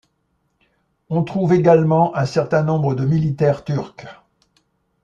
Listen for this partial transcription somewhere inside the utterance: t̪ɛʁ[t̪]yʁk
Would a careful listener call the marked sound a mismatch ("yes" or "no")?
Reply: no